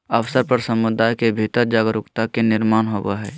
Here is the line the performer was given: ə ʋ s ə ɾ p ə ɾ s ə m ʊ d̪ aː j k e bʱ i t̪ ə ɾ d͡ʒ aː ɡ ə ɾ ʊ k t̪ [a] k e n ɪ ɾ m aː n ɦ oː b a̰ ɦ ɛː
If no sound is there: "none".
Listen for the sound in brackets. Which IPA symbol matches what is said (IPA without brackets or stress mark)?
a